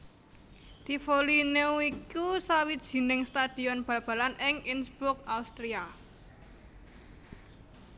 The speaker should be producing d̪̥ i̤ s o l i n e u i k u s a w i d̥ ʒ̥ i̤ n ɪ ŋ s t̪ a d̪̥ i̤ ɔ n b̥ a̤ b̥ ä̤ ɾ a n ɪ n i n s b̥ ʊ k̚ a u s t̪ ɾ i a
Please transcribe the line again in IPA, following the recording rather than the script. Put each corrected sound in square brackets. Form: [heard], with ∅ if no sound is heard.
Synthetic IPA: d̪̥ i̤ [f] o l i n e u i k u s a w i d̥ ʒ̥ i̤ n ɪ ŋ s t̪ a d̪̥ i̤ ɔ n b̥ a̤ b̥ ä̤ [l] a n ɪ [ŋ] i n s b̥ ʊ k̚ a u s t̪ ɾ i a

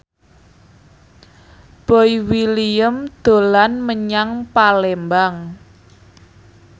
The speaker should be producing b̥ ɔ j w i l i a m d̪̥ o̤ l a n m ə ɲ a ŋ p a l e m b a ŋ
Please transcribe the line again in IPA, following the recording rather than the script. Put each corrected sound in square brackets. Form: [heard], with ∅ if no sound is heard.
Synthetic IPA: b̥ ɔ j w i l i [ə] m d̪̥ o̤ l a n m ə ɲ a ŋ p a l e m b a ŋ

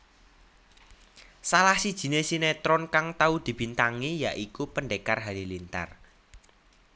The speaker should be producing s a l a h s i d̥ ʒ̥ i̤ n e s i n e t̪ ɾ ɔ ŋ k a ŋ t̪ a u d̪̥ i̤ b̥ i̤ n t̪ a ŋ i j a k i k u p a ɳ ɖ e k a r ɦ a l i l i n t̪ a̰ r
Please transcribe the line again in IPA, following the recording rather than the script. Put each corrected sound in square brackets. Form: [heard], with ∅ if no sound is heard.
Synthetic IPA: s a l a h s i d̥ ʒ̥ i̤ n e s i n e t̪ ɾ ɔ [n] k a ŋ t̪ a u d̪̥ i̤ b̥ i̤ n t̪ a ŋ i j a [ʔ] i k u p [ə] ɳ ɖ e k a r ɦ a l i l i n t̪ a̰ r

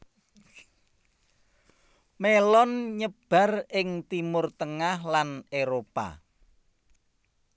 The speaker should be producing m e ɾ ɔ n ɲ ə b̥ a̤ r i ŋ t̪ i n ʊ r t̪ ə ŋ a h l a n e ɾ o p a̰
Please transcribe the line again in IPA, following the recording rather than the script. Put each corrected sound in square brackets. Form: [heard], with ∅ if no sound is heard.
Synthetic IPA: m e [l] ɔ n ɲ ə b̥ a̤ r [ɪ] ŋ t̪ i [m] ʊ r t̪ ə ŋ a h l a n e ɾ o p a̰

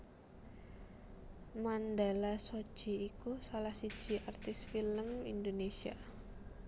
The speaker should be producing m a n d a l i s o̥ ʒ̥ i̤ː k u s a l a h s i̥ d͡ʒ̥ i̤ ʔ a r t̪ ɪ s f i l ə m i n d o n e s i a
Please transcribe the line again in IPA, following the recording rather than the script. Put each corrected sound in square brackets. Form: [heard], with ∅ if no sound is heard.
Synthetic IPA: m a n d a l [a] s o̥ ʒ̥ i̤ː k u s a l a h s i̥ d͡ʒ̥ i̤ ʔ a r t̪ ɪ s f i l ə m i n d o n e s i a

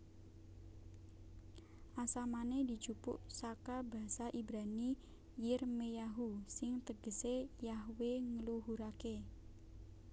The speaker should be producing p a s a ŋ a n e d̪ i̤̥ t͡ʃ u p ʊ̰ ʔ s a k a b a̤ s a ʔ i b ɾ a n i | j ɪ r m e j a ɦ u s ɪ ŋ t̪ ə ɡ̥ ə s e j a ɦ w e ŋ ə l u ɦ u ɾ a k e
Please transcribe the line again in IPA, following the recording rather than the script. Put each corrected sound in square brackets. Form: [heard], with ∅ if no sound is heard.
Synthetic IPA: [ʔ] a s a [m] a n e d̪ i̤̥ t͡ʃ u p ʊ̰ ʔ s a k a b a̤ s a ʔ i b ɾ a n i | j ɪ r m e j a ɦ u s ɪ ŋ t̪ ə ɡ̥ ə s e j a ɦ w e ŋ ə l u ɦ u ɾ a k e

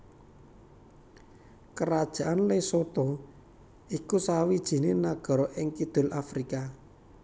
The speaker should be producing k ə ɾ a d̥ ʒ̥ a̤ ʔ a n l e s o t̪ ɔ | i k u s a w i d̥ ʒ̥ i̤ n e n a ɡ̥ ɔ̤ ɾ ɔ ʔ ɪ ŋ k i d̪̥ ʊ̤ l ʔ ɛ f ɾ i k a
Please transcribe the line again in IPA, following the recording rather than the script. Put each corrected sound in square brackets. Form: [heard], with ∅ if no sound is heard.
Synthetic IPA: k ə ɾ a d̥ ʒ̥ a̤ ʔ a n l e s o t̪ ɔ | i k u s a w i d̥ ʒ̥ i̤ n e n a ɡ̥ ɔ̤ ɾ ɔ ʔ ɪ ŋ k i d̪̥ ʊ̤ l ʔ [a] f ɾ i k a

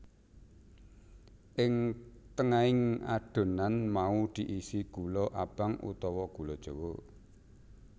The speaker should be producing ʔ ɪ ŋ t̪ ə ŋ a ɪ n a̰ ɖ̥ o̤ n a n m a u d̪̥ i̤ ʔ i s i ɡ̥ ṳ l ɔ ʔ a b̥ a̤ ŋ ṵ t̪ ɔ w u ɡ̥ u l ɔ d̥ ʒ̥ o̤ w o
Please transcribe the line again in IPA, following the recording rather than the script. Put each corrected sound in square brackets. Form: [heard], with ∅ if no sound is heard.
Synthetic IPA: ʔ ɪ ŋ t̪ ə ŋ a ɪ [ŋ] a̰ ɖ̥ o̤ n a n m a u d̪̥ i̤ ʔ i s i ɡ̥ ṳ l ɔ ʔ a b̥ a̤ ŋ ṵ t̪ ɔ w [ɔ] ɡ̥ u l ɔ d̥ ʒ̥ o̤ w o

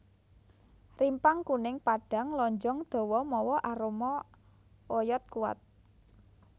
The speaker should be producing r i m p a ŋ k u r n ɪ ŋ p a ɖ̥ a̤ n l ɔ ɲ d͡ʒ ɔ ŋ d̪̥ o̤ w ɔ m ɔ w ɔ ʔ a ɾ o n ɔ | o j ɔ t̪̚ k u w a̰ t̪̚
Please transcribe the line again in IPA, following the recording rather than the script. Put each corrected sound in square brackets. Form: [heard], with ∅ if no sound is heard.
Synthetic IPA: r i m p a ŋ k u [∅] n ɪ ŋ p a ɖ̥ a̤ [ŋ] l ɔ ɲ d͡ʒ ɔ ŋ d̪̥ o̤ w ɔ m ɔ w ɔ ʔ a ɾ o [m] ɔ | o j ɔ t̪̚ k u w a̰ t̪̚

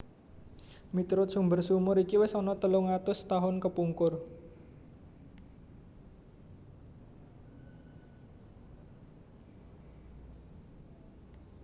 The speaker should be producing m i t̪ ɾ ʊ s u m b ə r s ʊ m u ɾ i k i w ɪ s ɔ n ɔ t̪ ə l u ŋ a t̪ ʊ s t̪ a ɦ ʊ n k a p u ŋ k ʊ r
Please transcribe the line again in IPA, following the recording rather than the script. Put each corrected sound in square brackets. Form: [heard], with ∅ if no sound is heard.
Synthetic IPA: m i t̪ ɾ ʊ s u m b ə r s [u] m [ʊ] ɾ i k i w ɪ s ɔ n ɔ t̪ ə l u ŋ a t̪ ʊ s t̪ a ɦ ʊ n k [ə] p u ŋ k ʊ r

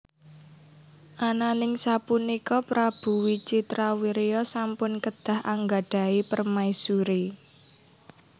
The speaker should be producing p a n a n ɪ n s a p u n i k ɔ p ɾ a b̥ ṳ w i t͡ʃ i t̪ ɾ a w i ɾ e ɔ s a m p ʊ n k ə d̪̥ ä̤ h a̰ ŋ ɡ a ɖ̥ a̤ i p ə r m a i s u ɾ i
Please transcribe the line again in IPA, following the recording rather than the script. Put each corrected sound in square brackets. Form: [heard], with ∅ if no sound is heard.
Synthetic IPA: [ʔ] a n a n ɪ [ŋ] s a p u n i k ɔ p ɾ a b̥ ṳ w i t͡ʃ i t̪ ɾ a w i ɾ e ɔ s a m p ʊ n k ə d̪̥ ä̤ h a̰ ŋ ɡ a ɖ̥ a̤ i p ə r m a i s u ɾ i

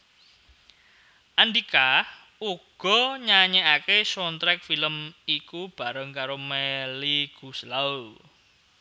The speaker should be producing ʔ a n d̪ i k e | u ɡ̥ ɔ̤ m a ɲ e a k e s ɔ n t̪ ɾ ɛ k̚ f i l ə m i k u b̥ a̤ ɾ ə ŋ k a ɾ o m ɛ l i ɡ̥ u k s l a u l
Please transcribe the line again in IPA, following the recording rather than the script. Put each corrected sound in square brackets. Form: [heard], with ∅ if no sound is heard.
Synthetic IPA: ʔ a n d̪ i k [a] | u ɡ̥ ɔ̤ [ɲ] a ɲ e a k e s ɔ n t̪ ɾ ɛ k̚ f i l ə m i k u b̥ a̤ ɾ ə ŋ k a ɾ o m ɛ l i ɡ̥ u [∅] s l a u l

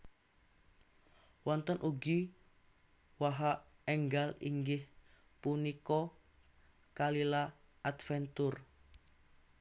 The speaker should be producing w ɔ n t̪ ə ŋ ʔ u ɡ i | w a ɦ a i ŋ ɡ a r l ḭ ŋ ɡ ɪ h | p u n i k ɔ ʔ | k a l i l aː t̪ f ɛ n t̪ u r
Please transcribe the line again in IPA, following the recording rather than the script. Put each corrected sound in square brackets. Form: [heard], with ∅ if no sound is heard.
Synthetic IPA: w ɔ n t̪ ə [n] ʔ u ɡ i | w a ɦ a [ɛ] ŋ ɡ a [∅] l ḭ ŋ ɡ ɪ h | p u n i k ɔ [∅] | k a l i l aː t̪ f ɛ n t̪ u r

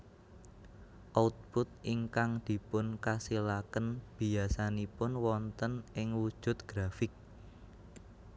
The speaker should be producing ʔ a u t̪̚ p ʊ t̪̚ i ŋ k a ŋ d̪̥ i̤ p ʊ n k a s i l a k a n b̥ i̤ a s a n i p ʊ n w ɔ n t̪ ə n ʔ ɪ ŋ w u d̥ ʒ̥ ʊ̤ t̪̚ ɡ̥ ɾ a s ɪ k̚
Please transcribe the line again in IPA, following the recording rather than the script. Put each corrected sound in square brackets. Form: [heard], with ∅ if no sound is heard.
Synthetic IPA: ʔ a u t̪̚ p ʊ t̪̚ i ŋ k a ŋ d̪̥ i̤ p ʊ n k a s i l a k [ə] n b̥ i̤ a s a n i p ʊ n w ɔ n t̪ ə n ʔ ɪ ŋ w u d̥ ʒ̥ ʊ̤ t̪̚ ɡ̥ ɾ a [f] ɪ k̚

